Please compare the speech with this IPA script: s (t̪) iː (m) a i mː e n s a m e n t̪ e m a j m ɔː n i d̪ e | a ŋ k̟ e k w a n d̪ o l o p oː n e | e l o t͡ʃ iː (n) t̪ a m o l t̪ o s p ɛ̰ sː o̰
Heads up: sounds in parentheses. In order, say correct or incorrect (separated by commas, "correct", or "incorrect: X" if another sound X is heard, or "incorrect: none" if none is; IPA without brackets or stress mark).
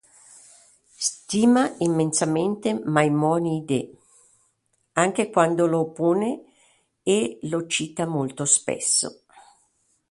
correct, correct, incorrect: none